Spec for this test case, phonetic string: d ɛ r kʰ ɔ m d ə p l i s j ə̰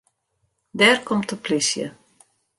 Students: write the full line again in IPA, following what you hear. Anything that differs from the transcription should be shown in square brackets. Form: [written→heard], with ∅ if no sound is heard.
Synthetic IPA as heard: d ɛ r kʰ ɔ m [d→t] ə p l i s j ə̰